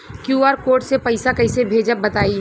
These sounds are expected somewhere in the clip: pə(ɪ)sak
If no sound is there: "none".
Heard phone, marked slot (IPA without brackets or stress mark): ɪ